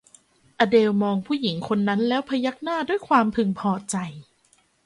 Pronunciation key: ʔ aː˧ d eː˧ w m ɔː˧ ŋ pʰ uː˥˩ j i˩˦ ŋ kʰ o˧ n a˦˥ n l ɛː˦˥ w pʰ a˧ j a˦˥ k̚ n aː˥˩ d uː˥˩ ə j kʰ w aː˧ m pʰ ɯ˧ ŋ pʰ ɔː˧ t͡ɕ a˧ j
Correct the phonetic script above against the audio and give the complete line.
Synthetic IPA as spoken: ʔ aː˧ d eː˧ w m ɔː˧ ŋ pʰ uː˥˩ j i˩˦ ŋ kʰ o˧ nː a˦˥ n l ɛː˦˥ w pʰ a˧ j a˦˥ k̚ n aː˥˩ d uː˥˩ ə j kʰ w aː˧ m pʰ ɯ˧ ŋ pʰ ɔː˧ t͡ɕ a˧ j